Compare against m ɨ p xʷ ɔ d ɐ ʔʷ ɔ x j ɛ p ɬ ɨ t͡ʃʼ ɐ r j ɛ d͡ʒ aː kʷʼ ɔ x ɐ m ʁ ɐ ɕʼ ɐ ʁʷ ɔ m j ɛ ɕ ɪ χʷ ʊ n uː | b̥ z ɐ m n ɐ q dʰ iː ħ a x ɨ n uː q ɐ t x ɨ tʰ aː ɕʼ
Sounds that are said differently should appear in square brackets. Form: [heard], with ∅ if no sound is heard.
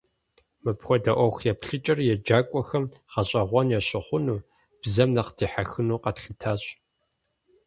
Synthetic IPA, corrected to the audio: m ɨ p xʷ ɔ d ɐ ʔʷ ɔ x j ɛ p ɬ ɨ t͡ʃʼ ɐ r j ɛ d͡ʒ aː kʷʼ ɔ x ɐ m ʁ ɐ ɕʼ ɐ ʁʷ ɔ [n] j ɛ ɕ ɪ χʷ ʊ n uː | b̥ z ɐ m n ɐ q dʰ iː ħ a x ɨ n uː q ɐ t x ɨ tʰ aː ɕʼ

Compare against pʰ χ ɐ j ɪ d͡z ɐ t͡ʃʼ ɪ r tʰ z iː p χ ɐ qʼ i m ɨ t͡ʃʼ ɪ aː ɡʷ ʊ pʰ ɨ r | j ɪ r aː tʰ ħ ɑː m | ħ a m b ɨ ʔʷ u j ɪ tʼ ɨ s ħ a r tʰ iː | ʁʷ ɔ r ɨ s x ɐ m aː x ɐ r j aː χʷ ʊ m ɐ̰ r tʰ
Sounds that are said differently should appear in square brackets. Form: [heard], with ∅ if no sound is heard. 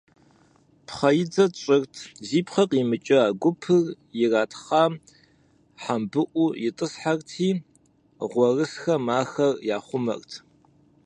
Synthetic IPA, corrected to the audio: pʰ χ ɐ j ɪ d͡z ɐ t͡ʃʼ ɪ r tʰ z iː p χ ɐ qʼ i m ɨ t͡ʃʼ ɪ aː ɡʷ ʊ pʰ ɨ r | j ɪ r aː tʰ [χ] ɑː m | ħ a m b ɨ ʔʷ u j ɪ tʼ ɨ s ħ a r tʰ iː | ʁʷ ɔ r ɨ s x ɐ m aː x ɐ r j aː χʷ ʊ m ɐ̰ r tʰ

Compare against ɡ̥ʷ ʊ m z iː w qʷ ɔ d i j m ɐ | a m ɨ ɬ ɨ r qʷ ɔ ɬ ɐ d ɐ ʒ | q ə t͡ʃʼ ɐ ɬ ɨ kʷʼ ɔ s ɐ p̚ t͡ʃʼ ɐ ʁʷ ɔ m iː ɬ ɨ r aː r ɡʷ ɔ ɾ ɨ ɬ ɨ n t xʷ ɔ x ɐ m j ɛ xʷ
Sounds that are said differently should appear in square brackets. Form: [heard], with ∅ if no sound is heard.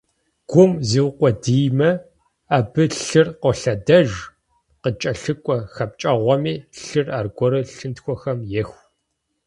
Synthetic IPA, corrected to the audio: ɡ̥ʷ ʊ m z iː w qʷ ɔ d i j m ɐ | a [b] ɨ ɬ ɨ r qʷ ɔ ɬ ɐ d ɐ ʒ | q ə t͡ʃʼ ɐ ɬ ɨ kʷʼ ɔ [x] ɐ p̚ t͡ʃʼ ɐ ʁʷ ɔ m iː ɬ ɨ r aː r ɡʷ ɔ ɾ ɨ ɬ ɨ n t xʷ ɔ x ɐ m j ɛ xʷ

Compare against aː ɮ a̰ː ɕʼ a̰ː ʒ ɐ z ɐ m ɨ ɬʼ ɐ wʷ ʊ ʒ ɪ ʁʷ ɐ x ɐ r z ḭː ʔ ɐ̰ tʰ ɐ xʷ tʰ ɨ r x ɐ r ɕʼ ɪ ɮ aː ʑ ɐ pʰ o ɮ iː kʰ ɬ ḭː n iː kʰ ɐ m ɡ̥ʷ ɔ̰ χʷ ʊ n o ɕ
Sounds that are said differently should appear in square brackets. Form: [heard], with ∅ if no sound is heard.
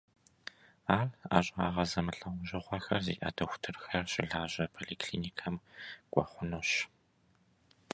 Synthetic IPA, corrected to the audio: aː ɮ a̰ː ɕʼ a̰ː [ʁ] ɐ z ɐ m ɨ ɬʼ ɐ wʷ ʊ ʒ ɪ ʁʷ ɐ x ɐ r z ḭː ʔ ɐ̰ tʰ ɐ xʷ tʰ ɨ r x ɐ r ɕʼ ɪ ɮ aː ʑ ɐ pʰ o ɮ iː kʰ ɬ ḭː n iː kʰ ɐ m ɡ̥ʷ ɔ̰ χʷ ʊ n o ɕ

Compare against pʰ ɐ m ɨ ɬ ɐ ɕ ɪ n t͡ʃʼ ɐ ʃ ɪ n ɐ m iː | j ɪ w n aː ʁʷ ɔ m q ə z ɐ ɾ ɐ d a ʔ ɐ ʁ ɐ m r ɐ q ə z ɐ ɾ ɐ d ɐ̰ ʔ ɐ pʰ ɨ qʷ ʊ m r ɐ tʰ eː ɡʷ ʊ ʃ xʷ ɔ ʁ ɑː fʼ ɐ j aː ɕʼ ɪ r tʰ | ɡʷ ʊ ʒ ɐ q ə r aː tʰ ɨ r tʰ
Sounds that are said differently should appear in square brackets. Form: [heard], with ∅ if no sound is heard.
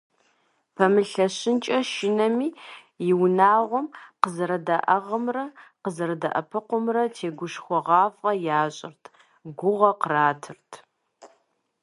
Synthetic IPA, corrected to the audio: pʰ ɐ m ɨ ɬ ɐ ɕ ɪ n t͡ʃʼ ɐ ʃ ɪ n ɐ m iː | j ɪ w n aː ʁʷ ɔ m q ə z ɐ ɾ ɐ d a ʔ ɐ ʁ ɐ m r ɐ q ə z ɐ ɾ ɐ d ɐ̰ ʔ ɐ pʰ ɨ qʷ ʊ m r ɐ tʰ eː ɡʷ ʊ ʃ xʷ ɔ ʁ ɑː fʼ ɐ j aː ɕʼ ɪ r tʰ | ɡʷ ʊ [ʁ] ɐ q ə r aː tʰ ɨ r tʰ

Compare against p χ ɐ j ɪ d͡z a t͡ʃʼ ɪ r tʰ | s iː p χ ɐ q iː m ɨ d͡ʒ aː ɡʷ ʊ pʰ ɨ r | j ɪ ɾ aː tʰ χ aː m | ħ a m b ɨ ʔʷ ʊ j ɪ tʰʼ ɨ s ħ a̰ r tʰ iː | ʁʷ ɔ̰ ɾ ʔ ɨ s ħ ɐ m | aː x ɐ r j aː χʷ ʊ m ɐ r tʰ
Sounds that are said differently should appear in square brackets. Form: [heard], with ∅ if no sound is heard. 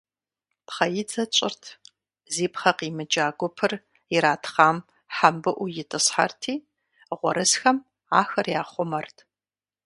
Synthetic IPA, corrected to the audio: p χ ɐ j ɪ d͡z [ɐ] t͡ʃʼ ɪ r tʰ | [z] iː p χ ɐ q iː m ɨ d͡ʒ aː ɡʷ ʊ pʰ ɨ r | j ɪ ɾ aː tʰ χ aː m | ħ a m b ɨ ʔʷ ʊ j ɪ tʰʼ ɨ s ħ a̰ r tʰ iː | ʁʷ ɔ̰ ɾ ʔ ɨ s [x] ɐ m | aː x ɐ r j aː χʷ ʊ m ɐ r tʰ

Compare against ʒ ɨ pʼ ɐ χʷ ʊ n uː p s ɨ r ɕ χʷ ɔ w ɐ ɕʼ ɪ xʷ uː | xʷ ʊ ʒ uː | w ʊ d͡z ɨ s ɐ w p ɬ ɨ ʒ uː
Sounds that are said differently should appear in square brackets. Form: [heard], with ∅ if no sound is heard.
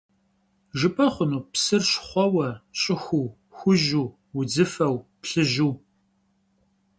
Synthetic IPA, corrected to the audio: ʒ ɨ pʼ ɐ χʷ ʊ n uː p s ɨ r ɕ χʷ ɔ w ɐ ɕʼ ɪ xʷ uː | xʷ ʊ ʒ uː | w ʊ d͡z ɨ [f] ɐ w p ɬ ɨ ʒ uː

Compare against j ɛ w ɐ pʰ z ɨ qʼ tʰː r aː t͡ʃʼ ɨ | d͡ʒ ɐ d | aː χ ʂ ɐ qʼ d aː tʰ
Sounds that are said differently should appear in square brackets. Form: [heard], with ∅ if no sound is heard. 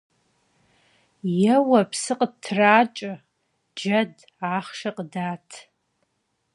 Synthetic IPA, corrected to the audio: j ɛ w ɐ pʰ [s] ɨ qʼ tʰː r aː t͡ʃʼ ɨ | d͡ʒ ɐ d | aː χ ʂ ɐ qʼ d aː tʰ

